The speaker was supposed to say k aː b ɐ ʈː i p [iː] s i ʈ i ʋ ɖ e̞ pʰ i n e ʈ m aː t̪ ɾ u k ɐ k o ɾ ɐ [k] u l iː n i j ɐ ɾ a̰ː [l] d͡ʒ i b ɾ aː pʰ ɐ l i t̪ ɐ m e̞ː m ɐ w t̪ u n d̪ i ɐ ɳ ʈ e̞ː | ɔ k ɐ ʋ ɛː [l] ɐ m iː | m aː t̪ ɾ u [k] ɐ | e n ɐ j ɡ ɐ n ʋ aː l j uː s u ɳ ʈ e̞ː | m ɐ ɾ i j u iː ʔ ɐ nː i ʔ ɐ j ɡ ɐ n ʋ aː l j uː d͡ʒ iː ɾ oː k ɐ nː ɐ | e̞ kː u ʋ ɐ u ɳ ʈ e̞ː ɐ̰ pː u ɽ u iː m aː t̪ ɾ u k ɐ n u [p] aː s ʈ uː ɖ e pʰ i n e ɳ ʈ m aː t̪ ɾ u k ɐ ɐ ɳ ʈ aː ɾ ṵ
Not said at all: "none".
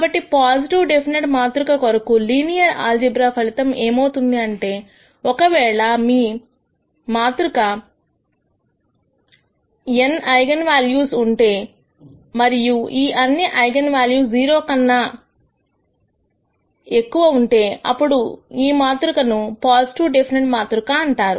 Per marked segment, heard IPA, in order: aː, k, l, ɭ, k, p

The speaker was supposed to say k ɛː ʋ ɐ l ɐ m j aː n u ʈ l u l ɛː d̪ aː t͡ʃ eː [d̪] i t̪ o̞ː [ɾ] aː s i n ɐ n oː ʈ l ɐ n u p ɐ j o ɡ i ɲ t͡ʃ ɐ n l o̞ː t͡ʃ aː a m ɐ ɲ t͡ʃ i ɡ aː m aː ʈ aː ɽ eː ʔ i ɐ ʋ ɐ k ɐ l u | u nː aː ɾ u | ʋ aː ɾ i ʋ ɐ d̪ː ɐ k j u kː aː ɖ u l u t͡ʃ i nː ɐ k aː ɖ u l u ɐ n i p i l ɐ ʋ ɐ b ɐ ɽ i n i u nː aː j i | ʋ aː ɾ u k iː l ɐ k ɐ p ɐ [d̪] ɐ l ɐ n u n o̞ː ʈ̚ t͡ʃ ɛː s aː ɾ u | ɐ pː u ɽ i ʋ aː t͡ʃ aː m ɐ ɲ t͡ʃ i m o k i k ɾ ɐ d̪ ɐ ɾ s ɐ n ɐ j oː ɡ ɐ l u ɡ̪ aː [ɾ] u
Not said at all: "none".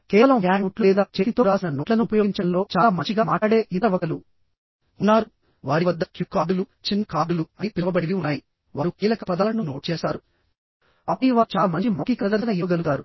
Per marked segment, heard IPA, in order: t̪, ɾ, d̪, ɾ

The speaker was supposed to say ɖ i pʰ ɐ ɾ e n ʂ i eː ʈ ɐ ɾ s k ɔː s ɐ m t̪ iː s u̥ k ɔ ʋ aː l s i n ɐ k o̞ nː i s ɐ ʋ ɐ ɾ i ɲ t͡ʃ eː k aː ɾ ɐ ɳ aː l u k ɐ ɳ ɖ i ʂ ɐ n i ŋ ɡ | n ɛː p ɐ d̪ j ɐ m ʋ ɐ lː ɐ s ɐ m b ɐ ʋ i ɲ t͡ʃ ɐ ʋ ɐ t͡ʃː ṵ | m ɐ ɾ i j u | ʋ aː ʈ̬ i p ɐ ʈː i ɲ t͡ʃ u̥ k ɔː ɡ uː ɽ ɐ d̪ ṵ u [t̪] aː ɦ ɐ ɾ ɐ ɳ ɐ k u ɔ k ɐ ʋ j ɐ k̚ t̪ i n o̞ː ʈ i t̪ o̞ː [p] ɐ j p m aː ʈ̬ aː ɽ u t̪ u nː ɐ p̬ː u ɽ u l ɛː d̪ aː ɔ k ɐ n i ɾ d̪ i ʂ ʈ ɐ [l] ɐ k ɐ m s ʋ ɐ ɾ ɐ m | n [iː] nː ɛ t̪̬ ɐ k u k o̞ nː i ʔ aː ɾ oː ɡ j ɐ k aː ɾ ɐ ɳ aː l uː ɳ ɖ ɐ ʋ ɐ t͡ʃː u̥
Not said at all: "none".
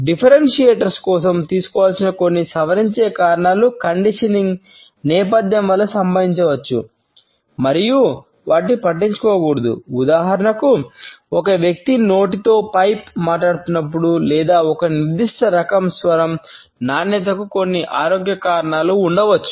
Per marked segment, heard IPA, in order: d̪, p, ɾ, aː

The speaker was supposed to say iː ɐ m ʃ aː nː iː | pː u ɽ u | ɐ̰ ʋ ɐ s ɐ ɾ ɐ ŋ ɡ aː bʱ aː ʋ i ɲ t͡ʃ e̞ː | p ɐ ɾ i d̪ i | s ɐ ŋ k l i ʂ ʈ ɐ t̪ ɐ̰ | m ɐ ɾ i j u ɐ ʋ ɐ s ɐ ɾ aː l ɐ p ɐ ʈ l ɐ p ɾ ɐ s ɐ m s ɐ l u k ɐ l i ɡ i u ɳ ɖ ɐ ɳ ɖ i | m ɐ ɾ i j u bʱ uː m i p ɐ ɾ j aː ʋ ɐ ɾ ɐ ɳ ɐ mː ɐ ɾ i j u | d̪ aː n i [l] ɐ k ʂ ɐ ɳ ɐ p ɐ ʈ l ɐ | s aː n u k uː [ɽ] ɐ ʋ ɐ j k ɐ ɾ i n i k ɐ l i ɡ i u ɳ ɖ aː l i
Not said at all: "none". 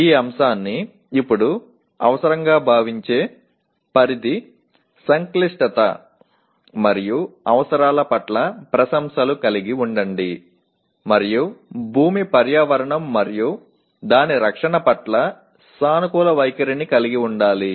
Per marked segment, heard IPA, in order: ɾ, l

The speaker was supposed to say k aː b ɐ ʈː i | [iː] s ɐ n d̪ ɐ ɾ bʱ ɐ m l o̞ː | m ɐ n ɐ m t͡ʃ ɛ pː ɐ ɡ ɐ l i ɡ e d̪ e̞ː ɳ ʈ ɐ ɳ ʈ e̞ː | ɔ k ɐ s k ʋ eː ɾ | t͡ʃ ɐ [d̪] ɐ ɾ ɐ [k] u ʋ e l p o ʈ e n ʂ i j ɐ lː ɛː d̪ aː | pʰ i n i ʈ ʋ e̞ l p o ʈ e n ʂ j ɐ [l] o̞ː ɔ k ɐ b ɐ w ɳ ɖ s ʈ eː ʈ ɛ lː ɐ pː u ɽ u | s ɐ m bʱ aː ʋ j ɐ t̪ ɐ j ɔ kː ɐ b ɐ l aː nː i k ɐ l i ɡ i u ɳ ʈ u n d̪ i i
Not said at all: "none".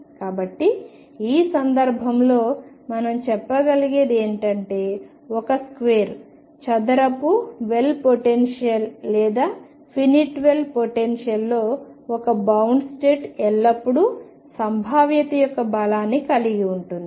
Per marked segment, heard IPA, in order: iː, d̪, p, lː

